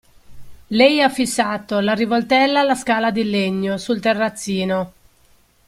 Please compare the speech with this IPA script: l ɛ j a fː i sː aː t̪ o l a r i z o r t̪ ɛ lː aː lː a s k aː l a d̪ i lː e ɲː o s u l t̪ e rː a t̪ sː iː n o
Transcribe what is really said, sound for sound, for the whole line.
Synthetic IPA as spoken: l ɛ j a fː i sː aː t̪ o l a r i v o l t̪ ɛ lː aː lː a s k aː l a d̪ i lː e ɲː o s u l t̪ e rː a t̪ sː iː n o